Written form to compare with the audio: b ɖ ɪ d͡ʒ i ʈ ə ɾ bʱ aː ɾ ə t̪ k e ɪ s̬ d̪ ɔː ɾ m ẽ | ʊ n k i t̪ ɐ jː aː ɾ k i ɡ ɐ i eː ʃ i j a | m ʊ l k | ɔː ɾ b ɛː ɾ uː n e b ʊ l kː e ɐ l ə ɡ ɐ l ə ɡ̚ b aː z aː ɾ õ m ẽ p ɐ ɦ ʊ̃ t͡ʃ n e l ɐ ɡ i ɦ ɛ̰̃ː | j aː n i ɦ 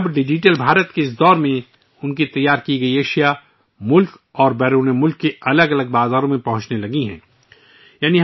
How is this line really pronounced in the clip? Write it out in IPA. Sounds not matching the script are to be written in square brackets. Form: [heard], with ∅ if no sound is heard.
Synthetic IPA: b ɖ ɪ d͡ʒ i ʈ ə [l] bʱ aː ɾ ə t̪ k e ɪ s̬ d̪ ɔː ɾ m ẽ | ʊ n k i t̪ ɐ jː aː ɾ k i ɡ ɐ i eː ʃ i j a | m ʊ l k | ɔː ɾ b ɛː ɾ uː n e [m] ʊ l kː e ɐ l ə ɡ ɐ l ə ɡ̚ b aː z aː ɾ õ m ẽ p ɐ ɦ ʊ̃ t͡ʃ n e l ɐ ɡ i ɦ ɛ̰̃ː | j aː n i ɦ